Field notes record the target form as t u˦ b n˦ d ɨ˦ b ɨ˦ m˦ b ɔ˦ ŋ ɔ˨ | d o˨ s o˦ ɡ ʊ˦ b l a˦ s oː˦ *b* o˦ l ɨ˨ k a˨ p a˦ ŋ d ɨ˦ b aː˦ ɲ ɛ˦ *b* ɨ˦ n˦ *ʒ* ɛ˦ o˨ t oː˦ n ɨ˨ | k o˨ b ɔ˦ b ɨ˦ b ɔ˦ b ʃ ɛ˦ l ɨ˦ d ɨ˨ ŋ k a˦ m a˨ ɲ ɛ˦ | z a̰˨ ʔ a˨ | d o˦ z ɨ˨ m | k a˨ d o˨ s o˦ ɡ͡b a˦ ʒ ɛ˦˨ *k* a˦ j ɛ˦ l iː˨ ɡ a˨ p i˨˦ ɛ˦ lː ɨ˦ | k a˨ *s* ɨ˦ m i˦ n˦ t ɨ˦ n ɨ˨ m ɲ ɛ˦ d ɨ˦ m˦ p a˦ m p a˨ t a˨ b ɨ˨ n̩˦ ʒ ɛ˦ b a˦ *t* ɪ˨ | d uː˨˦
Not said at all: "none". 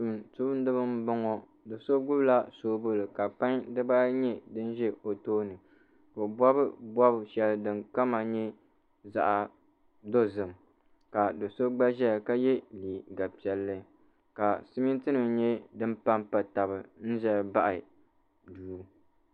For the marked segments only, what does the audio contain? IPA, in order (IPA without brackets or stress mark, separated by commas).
b, d, ʒ, k, s, ʔ